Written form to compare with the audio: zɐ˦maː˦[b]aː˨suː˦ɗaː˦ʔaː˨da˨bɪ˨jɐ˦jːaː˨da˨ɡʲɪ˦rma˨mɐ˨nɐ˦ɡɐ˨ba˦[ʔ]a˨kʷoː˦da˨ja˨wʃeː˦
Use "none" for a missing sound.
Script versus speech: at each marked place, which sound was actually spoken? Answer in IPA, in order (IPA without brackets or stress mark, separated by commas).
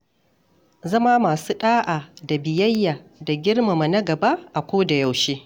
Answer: m, ʔ